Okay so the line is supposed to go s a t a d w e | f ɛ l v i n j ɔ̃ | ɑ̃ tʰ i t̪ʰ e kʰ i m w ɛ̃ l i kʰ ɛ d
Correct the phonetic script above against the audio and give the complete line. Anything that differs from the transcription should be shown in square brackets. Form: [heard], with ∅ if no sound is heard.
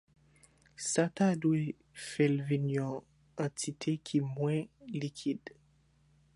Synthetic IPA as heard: s a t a d w e | f ɛ l v i n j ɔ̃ | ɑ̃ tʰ i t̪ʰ e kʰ i m w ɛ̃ l i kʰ [i] d